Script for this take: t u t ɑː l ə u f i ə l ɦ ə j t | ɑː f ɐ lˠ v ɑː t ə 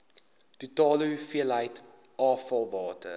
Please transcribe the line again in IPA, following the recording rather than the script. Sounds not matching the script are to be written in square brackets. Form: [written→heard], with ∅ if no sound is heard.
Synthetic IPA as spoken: t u t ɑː l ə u f i ə l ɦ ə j t | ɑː f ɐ lˠ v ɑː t ə